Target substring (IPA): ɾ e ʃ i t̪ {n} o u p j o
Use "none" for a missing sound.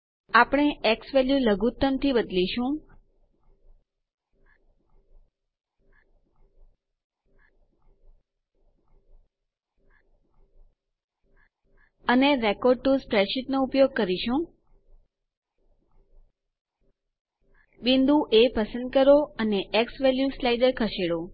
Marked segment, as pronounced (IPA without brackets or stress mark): n